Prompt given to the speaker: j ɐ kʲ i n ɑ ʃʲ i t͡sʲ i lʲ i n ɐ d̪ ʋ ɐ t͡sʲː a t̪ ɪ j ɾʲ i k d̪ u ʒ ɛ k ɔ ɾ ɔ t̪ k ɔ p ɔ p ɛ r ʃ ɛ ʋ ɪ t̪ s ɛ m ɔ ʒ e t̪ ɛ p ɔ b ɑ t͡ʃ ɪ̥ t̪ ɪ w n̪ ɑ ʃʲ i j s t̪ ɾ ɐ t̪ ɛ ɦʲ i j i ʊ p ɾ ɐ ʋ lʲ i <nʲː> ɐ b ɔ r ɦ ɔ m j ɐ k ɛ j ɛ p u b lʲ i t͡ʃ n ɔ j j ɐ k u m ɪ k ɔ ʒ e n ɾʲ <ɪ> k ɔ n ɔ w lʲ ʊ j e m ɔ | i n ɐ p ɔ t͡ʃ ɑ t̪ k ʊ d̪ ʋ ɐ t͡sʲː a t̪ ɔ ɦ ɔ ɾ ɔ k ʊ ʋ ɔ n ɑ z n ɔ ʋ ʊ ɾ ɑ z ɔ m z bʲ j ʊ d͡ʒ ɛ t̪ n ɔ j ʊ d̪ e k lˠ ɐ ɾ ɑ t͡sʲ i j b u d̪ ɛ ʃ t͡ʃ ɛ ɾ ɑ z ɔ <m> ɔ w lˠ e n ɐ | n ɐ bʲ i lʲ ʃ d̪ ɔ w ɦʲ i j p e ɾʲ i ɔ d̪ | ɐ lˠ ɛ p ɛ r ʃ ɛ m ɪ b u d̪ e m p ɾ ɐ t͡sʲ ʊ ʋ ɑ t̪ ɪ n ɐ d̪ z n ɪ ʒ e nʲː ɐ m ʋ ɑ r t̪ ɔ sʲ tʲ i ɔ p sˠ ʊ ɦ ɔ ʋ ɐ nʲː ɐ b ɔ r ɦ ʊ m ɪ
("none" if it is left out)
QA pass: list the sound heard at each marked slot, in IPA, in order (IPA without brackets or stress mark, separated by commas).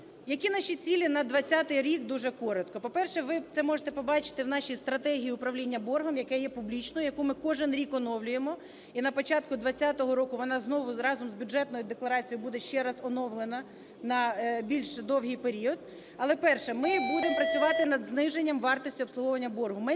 nʲː, i, n